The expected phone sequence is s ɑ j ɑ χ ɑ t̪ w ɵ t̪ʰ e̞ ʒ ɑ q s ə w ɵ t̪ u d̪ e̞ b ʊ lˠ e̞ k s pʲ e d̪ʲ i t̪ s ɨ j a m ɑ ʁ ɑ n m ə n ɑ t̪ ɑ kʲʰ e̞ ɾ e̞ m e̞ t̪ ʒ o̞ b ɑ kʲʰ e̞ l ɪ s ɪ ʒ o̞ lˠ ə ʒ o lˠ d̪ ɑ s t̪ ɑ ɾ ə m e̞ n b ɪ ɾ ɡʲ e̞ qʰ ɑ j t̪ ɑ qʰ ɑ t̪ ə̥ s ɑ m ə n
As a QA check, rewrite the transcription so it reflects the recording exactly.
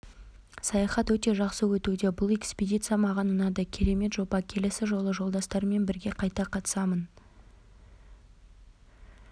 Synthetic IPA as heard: s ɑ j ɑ χ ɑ t̪ w ɵ t̪ e̞ ʒ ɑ q s ə w ɵ t̪ u d̪ e̞ b ʊ lˠ e̞ k s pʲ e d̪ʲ i t̪ s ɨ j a m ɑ ʁ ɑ n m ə n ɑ d̪ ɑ kʲʰ e̞ ɾ e̞ m e̞ t̪ ʒ o̞ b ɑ kʲʰ e̞ l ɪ s ɪ ʒ o̞ lˠ ə ʒ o lˠ d̪ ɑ s t̪ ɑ ɾ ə m e̞ n b ɪ ɾ ɡʲ e̞ qʰ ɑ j t̪ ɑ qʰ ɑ t̪ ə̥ s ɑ m ə n

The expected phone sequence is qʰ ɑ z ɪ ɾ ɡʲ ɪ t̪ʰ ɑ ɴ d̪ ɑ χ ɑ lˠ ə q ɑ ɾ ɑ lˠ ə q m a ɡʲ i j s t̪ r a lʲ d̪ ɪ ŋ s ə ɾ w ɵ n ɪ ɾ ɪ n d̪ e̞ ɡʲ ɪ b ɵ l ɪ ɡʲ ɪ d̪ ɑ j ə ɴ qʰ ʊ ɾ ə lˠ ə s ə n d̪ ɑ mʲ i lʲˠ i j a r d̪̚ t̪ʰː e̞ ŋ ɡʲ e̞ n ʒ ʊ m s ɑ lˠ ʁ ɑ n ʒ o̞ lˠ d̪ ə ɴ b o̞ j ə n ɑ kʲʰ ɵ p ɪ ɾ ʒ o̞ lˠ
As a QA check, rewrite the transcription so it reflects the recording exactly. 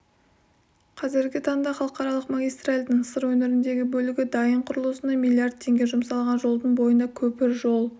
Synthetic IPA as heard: qʰ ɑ z ɪ ɾ ɡʲ ɪ t̪ʰ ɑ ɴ d̪ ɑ χ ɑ lˠ ə q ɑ ɾ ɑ lˠ ə q m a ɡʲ i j s t̪ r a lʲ d̪ ɪ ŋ s ə ɾ w ɵ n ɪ ɾ ɪ n d̪ e̞ ɡʲ ɪ b ɵ l ɪ ɡʲ ɪ d̪ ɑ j ə ɴ qʰ ʊ ɾ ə lˠ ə s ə n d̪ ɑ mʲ i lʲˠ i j a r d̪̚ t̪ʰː e̞ ŋ ɡʲ e̞ ʒ ʊ m s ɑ lˠ ʁ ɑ n ʒ o̞ lˠ d̪ ə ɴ b o̞ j ə n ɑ kʲʰ ɵ p ɪ ɾ ʒ o̞ lˠ

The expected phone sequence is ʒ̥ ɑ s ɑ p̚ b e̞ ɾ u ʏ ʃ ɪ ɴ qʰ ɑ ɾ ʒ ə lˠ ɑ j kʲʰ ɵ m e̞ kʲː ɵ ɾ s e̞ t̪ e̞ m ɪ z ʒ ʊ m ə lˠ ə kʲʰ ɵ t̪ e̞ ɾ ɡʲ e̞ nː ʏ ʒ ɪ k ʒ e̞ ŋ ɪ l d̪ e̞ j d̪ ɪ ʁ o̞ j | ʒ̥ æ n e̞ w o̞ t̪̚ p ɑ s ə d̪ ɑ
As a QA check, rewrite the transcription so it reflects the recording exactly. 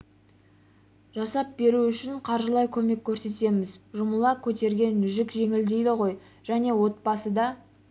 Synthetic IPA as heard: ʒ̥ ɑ s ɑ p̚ b e̞ ɾ u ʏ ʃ ɪ ɴ qʰ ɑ ɾ ʒ ə lˠ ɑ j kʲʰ ɵ m e̞ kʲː ɵ ɾ s e̞ t̪ e̞ m ɪ z ʒ ʊ m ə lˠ ɑ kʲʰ ɵ t̪ e̞ ɾ ɡʲ e̞ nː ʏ ʒ ɪ k ʒ e̞ ŋ ɪ l d̪ e̞ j d̪ ɪ ʁ o̞ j | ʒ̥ æ n e̞ w o̞ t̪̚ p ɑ s ə d̪ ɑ

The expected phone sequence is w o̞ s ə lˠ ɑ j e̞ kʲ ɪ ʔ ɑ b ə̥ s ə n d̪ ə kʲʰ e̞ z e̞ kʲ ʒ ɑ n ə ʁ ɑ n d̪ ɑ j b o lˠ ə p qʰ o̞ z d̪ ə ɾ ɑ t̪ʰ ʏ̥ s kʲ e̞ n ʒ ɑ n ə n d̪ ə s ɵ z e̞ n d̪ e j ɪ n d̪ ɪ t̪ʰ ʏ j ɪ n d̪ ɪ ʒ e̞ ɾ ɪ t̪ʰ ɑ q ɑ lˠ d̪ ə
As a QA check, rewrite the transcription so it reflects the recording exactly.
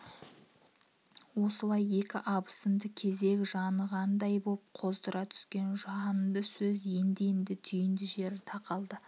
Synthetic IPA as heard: w o̞ s ə lˠ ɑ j e̞ kʲ ɪ ʔ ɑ b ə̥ s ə n d̪ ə kʲʰ e̞ z e̞ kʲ ʒ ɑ n ə ʁ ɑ n d̪ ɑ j b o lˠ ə p qʰ o̞ z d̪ ə ɾ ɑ t̪ʰ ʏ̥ s kʲ e̞ n ʒ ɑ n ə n d̪ ə s ɵ z e̞ n d̪ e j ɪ n d̪ ɪ t̪ʰ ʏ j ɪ n d̪ ɪ ʒ e̞ ɾ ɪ t̪ʰ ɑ q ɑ lˠ d̪ ə

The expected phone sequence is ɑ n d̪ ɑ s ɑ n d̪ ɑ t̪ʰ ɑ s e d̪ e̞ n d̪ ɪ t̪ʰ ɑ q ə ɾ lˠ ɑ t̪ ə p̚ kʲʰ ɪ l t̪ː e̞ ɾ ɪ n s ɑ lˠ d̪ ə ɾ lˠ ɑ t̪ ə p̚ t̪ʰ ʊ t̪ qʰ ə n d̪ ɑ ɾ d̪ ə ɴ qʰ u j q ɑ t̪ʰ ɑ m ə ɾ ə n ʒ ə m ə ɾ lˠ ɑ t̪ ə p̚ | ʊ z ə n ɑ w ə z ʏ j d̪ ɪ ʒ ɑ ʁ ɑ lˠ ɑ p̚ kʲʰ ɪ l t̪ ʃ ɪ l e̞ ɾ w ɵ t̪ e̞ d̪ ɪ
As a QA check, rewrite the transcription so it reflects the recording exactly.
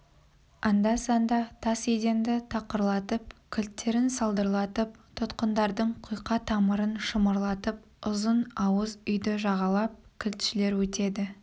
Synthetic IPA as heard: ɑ n d̪ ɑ s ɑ n d̪ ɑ t̪ʰ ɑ s e d̪ e̞ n d̪ ɪ t̪ʰ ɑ q ə ɾ lˠ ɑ t̪ ə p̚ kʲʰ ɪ l t̪ː e̞ ɾ ɪ n s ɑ lˠ d̪ ə ɾ lˠ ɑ t̪ ə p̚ t̪ʰ ʊ t̪ q ə n d̪ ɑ ɾ d̪ ə ɴ qʰ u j q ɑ t̪ʰ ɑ m ə ɾ ə n ʃ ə m ə ɾ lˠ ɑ t̪ ə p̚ | ʊ z ə n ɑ w ə z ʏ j d̪ ɪ ʒ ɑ ʁ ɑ lˠ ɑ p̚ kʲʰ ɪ l t̪ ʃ ɪ l e̞ ɾ w ɵ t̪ e̞ d̪ ɪ

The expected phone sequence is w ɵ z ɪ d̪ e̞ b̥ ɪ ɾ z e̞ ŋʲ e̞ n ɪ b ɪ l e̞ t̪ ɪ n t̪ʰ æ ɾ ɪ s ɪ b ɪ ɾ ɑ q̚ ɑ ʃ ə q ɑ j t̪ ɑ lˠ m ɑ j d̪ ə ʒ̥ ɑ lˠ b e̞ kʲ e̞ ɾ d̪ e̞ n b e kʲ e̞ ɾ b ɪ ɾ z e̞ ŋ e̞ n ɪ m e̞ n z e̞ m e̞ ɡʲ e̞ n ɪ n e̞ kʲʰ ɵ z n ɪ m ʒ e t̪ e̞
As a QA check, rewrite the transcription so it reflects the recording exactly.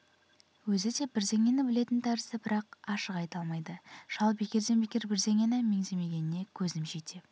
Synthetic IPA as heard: w ɵ z ɪ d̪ e̞ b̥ ɪ ɾ z e̞ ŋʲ e̞ n ɪ b ɪ l e̞ t̪ ɪ n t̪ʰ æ ɾ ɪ s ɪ b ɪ ɾ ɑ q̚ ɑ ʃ ə q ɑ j t̪ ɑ lˠ m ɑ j d̪ ə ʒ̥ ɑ lˠ b e̞ kʲ e̞ ɾ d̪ e̞ n b e kʲ e̞ ɾ b ɪ ɾ z e̞ ŋ e̞ n ɪ m e̞ ŋ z e̞ m e̞ ɡʲ e̞ n ɪ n e̞ kʲʰ ɵ z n ɪ m ʒ e t̪ e̞

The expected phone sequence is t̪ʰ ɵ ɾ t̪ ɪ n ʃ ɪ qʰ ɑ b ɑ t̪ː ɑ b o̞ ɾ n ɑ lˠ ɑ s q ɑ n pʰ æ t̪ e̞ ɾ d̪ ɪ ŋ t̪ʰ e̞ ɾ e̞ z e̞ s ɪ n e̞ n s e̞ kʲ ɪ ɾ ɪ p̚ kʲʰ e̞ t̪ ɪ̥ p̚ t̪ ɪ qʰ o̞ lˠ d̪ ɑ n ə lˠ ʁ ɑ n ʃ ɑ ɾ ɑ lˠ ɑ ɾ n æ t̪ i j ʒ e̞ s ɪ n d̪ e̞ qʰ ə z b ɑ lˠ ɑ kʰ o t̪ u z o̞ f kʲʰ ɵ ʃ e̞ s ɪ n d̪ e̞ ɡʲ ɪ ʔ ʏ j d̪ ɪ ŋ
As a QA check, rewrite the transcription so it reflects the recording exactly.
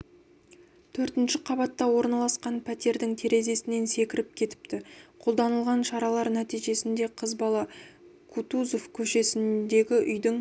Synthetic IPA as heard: t̪ʰ ɵ ɾ t̪ ɪ n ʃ ɪ qʰ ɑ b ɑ t̪ː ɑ w o̞ ɾ n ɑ lˠ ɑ s q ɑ n pʰ æ t̪ e̞ ɾ d̪ ɪ ŋ t̪ʰ e̞ ɾ e̞ z e̞ s ɪ n e̞ n s e̞ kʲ ɪ ɾ ɪ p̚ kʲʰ e̞ t̪ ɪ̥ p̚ t̪ ɪ qʰ o̞ lˠ d̪ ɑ n ə lˠ ʁ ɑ n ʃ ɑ ɾ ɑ lˠ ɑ ɾ n æ t̪ i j ʒ e̞ s ɪ n d̪ e̞ qʰ ə z b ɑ lˠ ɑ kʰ u t̪ u z o̞ f kʲʰ ɵ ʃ e̞ s ɪ n d̪ e̞ ɡʲ ɪ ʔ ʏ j d̪ ɪ ŋ

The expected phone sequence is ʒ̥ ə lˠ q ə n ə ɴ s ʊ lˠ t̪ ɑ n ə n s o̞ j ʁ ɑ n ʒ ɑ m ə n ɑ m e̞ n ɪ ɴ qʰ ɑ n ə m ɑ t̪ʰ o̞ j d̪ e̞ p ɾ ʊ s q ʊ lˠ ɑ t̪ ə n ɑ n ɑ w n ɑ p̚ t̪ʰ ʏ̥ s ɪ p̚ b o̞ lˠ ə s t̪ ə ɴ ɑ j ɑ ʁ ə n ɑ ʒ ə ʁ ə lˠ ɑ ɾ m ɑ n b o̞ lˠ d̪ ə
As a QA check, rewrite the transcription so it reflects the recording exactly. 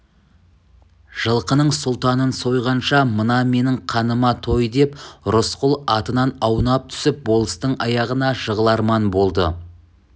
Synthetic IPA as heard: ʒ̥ ə lˠ q ə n ə ɴ s ʊ lˠ t̪ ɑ n ə n s o̞ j ʁ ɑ n ʃ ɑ m ə n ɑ m e̞ n ɪ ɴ qʰ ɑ n ə m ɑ t̪ʰ o̞ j d̪ e̞ p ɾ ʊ s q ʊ lˠ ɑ t̪ ə n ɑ n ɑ w n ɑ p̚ t̪ʰ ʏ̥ s ɪ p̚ b o̞ lˠ ə s t̪ ə ɴ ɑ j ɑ ʁ ə n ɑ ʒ ə ʁ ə lˠ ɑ ɾ m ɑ n b o̞ lˠ d̪ ə

